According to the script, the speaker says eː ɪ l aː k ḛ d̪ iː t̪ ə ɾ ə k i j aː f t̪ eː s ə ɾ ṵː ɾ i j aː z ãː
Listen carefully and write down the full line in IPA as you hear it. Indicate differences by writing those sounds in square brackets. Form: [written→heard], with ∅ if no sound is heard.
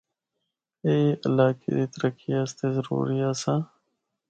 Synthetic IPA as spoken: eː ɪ l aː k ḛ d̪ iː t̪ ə ɾ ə k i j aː [f→s] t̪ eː [s→z] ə ɾ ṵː ɾ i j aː [z→s] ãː